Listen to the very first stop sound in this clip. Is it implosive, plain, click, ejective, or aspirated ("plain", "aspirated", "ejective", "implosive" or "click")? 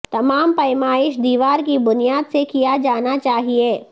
plain